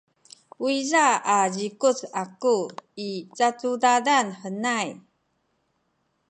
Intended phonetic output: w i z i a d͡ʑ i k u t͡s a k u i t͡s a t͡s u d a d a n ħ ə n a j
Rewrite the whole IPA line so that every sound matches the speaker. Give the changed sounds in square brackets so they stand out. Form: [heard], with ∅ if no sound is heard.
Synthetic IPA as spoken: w i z [a] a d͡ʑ i k u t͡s a k u i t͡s a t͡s u d a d a n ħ ə n a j

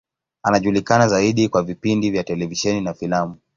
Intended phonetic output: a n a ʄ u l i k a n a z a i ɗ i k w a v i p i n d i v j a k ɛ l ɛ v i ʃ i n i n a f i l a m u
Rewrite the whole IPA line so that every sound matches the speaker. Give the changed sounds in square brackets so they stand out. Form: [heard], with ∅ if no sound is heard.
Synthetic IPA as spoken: a n a ʄ u l i k a n a z a i ɗ i k w a v i p i n d i v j a [t] ɛ l ɛ v i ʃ [ɛ] n i n a f i l a m u

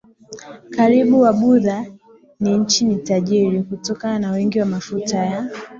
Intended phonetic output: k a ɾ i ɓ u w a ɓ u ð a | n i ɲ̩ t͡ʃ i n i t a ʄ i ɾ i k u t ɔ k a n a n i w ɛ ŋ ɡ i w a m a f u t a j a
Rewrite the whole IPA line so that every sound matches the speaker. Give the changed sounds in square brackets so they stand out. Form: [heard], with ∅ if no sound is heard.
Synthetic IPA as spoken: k a ɾ i ɓ u w a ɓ u ð a | n i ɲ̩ t͡ʃ i n i t a ʄ i ɾ i k u t ɔ k a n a n [a] w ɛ ŋ ɡ i w a m a f u t a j a

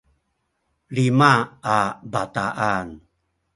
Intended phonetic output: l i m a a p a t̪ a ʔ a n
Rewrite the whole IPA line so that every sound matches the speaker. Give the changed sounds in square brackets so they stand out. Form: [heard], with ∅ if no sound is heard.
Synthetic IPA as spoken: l i m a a [b] a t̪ a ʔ a n

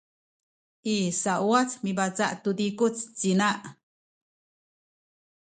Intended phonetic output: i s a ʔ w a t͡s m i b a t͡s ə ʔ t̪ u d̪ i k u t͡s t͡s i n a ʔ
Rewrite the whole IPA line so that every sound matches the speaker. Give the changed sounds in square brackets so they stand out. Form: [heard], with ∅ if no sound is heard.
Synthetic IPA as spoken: i s a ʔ w a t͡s m i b a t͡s [a] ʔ t̪ u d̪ i k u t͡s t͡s i n a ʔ

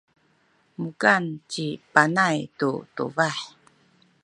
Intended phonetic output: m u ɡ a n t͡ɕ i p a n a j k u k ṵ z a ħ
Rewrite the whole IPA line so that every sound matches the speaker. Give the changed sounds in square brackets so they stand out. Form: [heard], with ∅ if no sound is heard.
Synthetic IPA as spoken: m u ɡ a n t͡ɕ i p a n a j [t] u [t] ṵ [v] a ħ

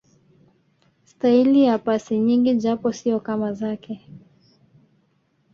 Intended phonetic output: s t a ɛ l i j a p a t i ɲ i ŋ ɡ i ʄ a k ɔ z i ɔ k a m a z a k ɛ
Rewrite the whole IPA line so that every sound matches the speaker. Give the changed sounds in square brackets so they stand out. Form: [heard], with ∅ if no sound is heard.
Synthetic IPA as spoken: s t a [i] l i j a p a [s] i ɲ i ŋ ɡ i ʄ a [p] ɔ [s] i ɔ k a m a z a k ɛ

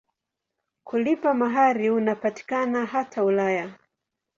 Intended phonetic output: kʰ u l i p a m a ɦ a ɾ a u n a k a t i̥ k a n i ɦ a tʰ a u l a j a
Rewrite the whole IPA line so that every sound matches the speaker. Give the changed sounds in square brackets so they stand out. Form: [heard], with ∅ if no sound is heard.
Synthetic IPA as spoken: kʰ u l i p a m a ɦ a ɾ [i] u n a [p] a t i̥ k a n [a] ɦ a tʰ a u l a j a

